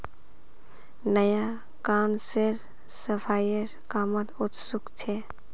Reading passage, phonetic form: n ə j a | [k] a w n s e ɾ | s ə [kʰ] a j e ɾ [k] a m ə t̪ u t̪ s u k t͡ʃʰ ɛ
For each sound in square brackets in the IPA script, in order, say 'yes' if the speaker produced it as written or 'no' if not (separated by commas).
yes, no, yes